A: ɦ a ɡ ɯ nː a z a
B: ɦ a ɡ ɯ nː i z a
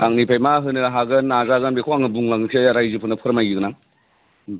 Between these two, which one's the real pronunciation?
A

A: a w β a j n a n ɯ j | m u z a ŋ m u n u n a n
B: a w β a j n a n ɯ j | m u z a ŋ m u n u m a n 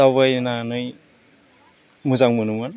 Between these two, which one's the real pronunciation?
B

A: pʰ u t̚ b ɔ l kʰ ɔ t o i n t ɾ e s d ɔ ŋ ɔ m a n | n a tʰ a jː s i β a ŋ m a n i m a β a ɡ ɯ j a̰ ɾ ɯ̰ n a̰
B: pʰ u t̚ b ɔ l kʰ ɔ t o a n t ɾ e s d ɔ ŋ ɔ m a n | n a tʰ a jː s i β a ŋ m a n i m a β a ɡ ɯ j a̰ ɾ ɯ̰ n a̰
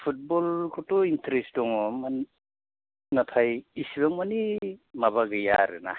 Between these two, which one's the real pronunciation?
A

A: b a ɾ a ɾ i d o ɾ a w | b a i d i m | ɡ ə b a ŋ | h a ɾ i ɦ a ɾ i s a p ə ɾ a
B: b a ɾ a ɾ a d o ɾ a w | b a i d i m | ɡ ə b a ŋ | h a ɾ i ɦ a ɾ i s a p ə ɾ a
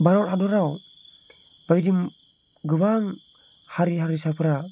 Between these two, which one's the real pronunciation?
B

